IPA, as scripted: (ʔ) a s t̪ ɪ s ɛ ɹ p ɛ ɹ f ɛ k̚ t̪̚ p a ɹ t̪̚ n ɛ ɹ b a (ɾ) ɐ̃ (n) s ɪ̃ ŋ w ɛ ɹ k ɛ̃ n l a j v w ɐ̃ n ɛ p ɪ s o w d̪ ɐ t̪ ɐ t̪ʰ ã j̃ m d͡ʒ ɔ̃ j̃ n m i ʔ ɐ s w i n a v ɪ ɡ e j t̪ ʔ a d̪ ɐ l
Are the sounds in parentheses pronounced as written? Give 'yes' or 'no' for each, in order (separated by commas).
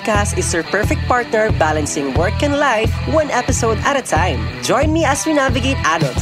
no, no, yes